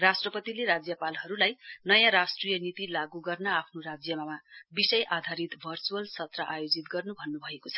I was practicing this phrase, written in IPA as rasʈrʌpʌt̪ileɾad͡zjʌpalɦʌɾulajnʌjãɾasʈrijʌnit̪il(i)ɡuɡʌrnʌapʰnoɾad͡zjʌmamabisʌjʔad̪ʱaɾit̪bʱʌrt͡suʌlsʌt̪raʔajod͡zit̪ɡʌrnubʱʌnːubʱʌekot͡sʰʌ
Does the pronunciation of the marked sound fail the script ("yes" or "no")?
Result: yes